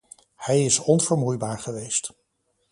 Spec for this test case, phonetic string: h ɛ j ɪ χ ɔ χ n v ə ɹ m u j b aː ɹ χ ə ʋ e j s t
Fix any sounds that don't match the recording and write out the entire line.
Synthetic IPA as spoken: h ɛ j ɪ s ɔ n v ə ɹ m u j b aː ɹ χ ə ʋ e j s t